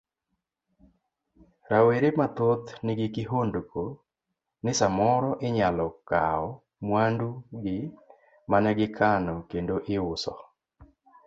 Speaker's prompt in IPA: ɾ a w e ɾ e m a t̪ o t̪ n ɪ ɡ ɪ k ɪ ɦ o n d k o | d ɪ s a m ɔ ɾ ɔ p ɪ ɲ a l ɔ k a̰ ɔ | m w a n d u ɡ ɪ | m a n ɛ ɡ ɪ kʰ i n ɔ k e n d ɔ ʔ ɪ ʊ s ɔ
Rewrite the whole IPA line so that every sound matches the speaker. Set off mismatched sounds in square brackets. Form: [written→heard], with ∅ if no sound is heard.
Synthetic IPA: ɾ a w e ɾ e m a t̪ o t̪ n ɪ ɡ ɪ k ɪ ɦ o n d k o | [d→n] ɪ s a m ɔ ɾ ɔ [p→ʔ] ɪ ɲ a l ɔ k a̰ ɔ | m w a n d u ɡ ɪ | m a n ɛ ɡ ɪ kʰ [i→a] n ɔ k e n d [ɔ→o] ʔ ɪ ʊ s ɔ